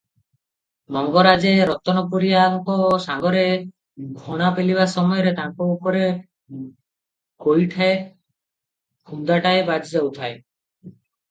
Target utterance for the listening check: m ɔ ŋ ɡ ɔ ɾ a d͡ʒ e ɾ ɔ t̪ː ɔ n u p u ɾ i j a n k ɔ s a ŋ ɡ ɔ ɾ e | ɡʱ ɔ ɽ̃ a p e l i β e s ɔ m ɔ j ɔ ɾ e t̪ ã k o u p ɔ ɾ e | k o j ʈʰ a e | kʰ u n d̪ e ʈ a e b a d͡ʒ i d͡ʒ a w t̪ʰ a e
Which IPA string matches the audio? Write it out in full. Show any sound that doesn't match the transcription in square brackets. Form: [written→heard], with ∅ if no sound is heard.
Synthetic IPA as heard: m ɔ ŋ ɡ ɔ ɾ a d͡ʒ e ɾ ɔ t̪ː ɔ n [u→ɔ] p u ɾ i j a [n→ŋ] k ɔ s a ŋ ɡ ɔ ɾ e | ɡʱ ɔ ɽ̃ a p e l i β [e→a] s ɔ m ɔ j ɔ ɾ e t̪ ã k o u p ɔ ɾ e | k o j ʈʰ a e | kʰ u n d̪ [e→a] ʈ a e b a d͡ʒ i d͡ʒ a w t̪ʰ a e